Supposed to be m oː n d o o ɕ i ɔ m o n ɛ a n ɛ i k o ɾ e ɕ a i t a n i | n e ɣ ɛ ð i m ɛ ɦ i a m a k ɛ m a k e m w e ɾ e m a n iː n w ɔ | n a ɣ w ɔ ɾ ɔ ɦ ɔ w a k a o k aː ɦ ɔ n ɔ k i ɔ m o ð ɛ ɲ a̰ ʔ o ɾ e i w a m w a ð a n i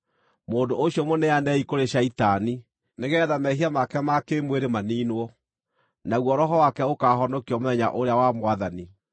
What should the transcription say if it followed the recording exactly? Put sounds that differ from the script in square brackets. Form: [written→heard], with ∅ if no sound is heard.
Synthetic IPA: m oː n d o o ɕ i ɔ m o n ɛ a n ɛ i k o ɾ e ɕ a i t a n i | n e ɣ ɛ ð [i→a] m ɛ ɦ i a m a k ɛ m a k e m w e ɾ e m a n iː n w ɔ | n a ɣ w ɔ ɾ ɔ ɦ ɔ w a k [a→ɛ] o k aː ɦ ɔ n ɔ k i ɔ m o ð ɛ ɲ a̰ ʔ o ɾ e [i→a] w a m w a ð a n i